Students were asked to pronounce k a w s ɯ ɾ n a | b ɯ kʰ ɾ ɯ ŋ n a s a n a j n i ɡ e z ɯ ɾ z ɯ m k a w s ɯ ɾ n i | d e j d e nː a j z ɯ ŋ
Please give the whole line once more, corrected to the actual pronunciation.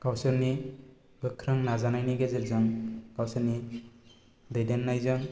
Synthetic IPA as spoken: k a w s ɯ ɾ n i | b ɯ kʰ ɾ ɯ ŋ n a z a n a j n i ɡ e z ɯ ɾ z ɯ ŋ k a w s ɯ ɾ n i | d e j d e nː a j z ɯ ŋ